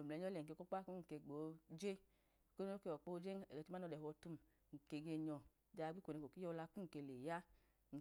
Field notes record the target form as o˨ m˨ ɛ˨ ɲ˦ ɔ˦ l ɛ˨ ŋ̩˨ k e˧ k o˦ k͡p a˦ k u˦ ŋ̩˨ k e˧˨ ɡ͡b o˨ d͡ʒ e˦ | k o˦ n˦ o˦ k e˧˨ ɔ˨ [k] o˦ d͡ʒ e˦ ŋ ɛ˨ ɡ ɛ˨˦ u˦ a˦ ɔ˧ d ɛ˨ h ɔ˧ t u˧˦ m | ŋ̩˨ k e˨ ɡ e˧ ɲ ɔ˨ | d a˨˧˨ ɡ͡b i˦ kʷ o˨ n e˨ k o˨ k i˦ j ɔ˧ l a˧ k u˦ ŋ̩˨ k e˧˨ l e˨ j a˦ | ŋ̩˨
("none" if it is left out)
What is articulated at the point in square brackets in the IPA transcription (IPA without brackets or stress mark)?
k͡p